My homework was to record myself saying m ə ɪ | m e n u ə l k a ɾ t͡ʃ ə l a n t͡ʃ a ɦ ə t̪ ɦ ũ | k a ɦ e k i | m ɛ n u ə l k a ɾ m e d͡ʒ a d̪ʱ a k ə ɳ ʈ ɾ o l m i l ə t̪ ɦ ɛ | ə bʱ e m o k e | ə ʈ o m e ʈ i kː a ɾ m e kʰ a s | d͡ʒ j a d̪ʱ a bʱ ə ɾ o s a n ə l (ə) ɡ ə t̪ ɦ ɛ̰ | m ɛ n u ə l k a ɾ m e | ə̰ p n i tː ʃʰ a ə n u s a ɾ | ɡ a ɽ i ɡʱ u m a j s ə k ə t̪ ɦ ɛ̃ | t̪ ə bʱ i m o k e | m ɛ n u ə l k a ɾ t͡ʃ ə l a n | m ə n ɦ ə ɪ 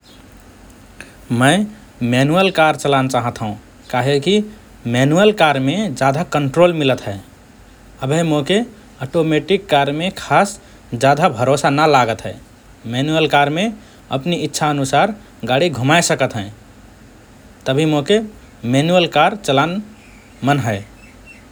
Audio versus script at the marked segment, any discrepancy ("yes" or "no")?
yes